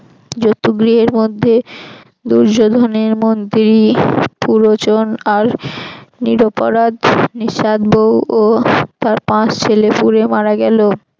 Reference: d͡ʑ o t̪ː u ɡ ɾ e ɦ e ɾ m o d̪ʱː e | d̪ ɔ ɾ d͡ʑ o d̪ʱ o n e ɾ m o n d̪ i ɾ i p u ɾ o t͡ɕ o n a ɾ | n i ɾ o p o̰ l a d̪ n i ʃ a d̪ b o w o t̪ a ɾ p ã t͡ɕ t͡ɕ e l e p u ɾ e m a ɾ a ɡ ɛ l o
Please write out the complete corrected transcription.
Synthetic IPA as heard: d͡ʑ o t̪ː u ɡ ɾ i ɦ e ɾ m o d̪ʱː e | d̪ u ɾ d͡ʑ o d̪ʱ o n e ɾ m o n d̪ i ɾ i p u ɾ o t͡ɕ o n a ɾ | n i ɾ o p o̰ ɾ a d̪ n i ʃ a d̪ b o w o t̪ a ɾ p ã t͡ɕ t͡ɕʰ e l e p u ɾ e m a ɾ a ɡ ɛ l o